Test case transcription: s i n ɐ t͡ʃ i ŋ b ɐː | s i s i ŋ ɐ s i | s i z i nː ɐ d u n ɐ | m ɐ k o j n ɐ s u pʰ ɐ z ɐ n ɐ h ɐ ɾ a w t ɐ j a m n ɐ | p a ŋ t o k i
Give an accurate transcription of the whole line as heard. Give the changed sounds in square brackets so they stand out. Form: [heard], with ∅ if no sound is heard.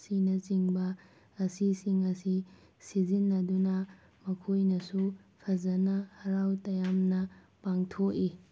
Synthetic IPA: s i n ɐ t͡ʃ i ŋ b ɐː | s i s i ŋ ɐ s i | s i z i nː ɐ d u n ɐ | m ɐ [kʰ] o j n ɐ s u pʰ ɐ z ɐ n ɐ h ɐ ɾ a w t ɐ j a m n ɐ | p a ŋ [tʰ] o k i